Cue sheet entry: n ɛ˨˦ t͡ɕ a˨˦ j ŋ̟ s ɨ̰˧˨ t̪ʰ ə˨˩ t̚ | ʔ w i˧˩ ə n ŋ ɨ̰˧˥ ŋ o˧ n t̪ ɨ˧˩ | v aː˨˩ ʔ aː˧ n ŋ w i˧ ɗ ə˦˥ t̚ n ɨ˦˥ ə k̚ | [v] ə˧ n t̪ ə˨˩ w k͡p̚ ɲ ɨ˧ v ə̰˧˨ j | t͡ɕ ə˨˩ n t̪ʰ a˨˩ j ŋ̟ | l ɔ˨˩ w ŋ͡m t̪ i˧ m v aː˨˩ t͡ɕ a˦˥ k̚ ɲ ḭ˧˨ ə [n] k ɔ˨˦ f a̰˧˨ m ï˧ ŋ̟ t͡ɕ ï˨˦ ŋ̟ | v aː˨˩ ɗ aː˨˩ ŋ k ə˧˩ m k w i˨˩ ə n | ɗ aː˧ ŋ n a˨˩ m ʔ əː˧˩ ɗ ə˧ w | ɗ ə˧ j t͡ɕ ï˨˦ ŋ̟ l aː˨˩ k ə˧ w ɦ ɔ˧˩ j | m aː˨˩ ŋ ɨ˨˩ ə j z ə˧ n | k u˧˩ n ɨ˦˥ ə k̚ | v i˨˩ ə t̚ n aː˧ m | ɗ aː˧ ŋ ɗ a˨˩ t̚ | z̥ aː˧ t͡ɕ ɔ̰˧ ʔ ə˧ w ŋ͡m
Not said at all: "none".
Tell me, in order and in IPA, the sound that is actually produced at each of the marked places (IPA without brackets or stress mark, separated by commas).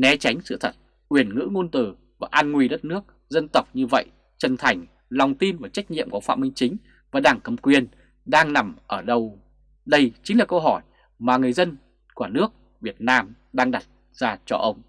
z, m